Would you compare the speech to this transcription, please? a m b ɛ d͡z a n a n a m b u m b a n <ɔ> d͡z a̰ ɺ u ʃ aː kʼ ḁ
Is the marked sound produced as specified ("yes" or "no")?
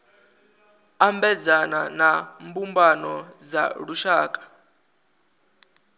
yes